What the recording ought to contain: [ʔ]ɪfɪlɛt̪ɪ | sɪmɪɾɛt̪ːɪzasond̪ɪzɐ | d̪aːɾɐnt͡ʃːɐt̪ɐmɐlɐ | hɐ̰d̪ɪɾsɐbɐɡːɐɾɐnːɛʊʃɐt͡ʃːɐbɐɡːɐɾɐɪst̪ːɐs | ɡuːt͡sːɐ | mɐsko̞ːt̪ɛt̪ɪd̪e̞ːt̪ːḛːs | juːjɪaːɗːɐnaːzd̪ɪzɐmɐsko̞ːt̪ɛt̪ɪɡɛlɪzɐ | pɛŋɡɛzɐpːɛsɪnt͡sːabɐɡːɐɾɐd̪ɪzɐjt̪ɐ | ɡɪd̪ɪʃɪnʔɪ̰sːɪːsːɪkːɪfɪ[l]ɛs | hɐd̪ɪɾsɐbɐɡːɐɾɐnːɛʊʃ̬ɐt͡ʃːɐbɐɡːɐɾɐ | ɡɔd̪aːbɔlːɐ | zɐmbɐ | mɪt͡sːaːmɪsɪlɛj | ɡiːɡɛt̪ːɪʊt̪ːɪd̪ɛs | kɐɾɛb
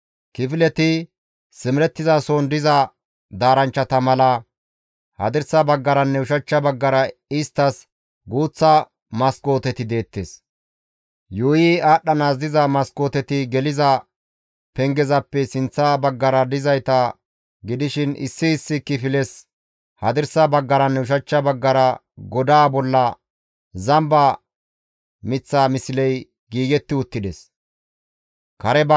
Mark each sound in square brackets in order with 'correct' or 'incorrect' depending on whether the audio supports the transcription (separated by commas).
incorrect, correct